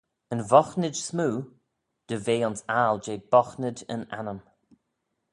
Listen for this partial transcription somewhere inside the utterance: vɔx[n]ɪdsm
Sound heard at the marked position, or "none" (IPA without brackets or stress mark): n